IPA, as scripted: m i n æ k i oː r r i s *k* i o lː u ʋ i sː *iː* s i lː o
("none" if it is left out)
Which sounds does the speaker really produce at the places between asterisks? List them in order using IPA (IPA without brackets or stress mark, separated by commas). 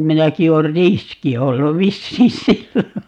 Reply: k, iː